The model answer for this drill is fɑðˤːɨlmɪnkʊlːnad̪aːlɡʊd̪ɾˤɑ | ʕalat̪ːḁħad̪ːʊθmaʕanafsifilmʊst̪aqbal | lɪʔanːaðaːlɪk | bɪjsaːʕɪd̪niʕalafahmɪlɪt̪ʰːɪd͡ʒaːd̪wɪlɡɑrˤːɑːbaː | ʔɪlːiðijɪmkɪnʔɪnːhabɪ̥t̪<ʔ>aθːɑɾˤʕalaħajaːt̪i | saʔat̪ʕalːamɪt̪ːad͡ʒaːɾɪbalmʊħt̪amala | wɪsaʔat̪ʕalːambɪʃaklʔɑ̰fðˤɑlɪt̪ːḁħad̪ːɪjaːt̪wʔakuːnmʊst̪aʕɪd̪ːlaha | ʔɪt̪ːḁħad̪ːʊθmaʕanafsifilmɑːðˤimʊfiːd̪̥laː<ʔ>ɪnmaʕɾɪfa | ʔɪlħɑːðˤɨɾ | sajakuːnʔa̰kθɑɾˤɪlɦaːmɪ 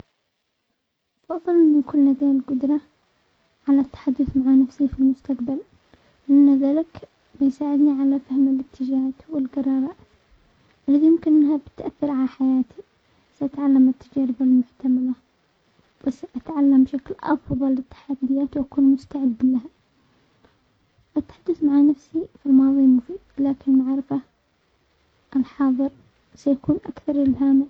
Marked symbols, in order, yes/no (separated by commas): yes, no